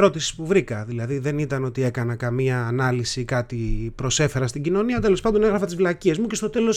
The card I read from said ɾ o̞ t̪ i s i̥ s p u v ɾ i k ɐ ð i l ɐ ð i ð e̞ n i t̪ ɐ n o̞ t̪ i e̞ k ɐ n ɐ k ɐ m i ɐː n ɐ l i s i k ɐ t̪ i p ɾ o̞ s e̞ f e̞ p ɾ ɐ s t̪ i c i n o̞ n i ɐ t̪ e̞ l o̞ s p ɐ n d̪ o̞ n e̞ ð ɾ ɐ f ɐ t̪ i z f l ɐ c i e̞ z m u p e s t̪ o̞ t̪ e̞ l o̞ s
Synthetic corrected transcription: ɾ o̞ t̪ i s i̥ s p u v ɾ i k ɐ ð i l ɐ ð i ð e̞ n i t̪ ɐ n o̞ t̪ i e̞ k ɐ n ɐ k ɐ m i ɐː n ɐ l i s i k ɐ t̪ i p ɾ o̞ s e̞ f e̞ ɾ ɐ s t̪ i ɟ i n o̞ n i ɐ t̪ e̞ l o̞ s p ɐ n d̪ o̞ n e̞ ɣ ɾ ɐ f ɐ t̪ i z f l ɐ c i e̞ z m u c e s t̪ o̞ t̪ e̞ l o̞ s